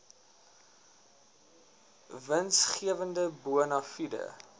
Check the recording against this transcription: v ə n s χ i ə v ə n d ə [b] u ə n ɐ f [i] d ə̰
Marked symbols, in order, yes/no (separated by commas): yes, yes